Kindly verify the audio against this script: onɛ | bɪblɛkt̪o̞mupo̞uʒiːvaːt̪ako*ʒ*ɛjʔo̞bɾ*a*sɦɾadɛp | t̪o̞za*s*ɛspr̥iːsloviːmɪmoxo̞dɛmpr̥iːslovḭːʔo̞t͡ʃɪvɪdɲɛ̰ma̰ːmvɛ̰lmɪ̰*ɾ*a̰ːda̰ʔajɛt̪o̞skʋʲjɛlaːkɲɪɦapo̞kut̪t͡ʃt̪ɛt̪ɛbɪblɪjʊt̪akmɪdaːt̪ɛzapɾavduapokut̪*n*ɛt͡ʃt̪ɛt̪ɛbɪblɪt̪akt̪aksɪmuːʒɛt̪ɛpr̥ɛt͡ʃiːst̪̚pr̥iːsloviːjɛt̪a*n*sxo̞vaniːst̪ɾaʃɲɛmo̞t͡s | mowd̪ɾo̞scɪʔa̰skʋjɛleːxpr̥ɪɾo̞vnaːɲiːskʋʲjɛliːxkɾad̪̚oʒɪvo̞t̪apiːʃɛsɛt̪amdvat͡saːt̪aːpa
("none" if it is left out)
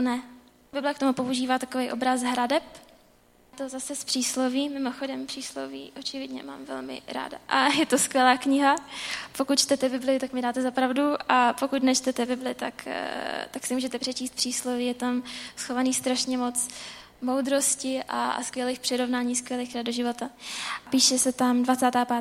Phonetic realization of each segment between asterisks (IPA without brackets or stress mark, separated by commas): v, a, s, ɾ, n, m